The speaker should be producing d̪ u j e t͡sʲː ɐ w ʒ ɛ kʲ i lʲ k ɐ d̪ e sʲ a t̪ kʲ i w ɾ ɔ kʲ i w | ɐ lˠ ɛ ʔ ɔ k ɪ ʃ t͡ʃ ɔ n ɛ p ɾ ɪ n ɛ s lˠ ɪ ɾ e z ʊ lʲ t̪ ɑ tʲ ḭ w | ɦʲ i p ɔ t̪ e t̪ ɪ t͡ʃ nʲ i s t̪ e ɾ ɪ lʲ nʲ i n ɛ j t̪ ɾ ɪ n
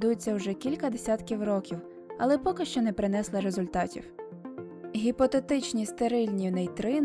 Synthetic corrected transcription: d̪ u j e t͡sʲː ɐ w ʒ ɛ kʲ i lʲ k ɐ d̪ e sʲ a t̪ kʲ i w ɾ ɔ kʲ i w | ɐ lˠ ɛ p ɔ k ɪ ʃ t͡ʃ ɔ n ɛ p ɾ ɪ n ɛ s lˠ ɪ ɾ e z ʊ lʲ t̪ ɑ tʲ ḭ w | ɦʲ i p ɔ t̪ e t̪ ɪ t͡ʃ nʲ i s t̪ e ɾ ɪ lʲ nʲ i n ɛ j t̪ ɾ ɪ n